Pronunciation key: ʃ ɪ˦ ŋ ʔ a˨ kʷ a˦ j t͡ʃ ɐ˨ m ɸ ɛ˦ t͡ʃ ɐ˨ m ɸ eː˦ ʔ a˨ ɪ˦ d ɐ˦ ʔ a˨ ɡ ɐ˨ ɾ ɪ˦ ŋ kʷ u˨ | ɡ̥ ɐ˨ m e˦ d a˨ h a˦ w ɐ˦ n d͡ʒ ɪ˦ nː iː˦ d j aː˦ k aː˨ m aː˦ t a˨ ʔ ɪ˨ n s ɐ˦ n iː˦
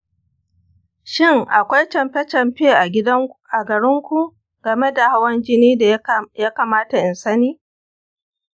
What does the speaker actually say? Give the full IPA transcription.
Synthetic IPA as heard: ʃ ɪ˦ ŋ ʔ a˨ kʷ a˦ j t͡ʃ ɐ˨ m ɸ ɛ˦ t͡ʃ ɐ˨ m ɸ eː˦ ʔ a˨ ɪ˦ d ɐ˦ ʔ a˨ ɡ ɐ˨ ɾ ɪ˦ ŋ kʷ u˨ | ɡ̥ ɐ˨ m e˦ d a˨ h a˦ w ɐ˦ n d͡ʒ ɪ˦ n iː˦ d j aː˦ k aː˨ m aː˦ t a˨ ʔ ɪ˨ n s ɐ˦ n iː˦